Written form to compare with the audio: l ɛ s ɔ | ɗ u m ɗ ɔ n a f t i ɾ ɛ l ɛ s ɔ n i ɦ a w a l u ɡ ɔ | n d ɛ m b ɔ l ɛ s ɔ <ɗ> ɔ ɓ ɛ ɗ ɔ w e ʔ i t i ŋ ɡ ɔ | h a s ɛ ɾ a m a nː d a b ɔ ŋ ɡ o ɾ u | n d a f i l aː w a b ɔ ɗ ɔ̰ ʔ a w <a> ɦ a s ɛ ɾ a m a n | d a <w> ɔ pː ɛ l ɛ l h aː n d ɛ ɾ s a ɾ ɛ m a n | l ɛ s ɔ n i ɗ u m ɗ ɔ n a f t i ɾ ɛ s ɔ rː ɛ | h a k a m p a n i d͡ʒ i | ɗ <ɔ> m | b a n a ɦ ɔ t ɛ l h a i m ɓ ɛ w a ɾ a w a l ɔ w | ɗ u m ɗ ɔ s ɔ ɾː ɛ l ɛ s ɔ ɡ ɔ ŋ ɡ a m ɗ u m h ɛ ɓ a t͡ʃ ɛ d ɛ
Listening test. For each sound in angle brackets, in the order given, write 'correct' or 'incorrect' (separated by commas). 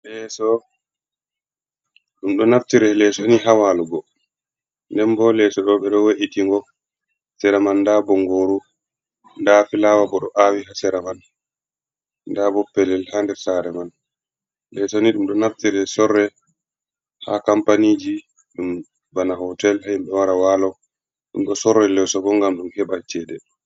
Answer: correct, incorrect, incorrect, incorrect